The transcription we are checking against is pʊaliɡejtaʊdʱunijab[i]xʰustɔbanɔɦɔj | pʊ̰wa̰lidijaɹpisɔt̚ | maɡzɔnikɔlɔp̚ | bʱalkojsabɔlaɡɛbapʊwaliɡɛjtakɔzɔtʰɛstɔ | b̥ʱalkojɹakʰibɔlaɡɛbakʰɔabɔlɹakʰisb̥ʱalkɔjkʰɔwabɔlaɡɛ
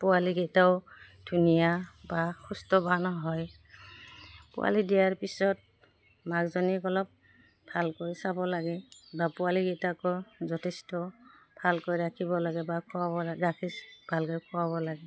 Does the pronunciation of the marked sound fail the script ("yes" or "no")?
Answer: yes